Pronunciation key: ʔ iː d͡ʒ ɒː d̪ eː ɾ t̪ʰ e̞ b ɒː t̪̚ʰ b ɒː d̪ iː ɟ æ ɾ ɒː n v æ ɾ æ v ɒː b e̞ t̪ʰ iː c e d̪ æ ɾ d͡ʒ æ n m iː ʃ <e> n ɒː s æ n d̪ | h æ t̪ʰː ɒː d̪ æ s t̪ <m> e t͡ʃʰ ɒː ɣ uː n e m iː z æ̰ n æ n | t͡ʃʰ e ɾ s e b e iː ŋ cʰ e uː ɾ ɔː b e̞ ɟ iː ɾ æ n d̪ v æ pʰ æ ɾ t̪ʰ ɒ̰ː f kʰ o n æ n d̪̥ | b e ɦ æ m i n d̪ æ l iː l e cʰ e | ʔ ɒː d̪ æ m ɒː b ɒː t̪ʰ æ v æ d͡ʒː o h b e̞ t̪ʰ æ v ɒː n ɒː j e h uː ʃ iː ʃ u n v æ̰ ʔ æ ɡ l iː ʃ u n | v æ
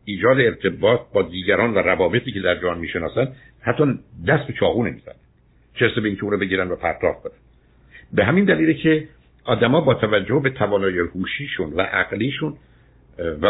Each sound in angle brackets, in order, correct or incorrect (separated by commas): correct, incorrect